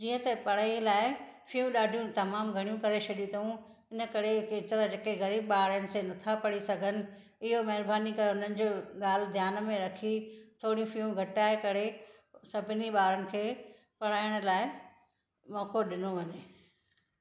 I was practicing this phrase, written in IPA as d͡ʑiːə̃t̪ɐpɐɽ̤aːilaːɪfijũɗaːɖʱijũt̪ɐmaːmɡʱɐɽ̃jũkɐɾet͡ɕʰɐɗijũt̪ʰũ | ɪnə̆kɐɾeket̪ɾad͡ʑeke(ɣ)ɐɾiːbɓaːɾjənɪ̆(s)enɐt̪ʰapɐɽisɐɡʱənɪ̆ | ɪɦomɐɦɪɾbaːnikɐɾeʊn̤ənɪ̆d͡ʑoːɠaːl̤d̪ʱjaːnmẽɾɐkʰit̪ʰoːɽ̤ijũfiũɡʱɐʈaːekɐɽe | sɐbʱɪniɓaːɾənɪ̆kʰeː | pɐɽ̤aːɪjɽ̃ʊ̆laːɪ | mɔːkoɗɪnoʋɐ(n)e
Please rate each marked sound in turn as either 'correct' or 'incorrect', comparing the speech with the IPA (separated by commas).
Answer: correct, correct, incorrect